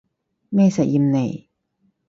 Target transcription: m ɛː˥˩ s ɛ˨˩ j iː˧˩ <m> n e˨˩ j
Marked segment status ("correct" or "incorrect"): correct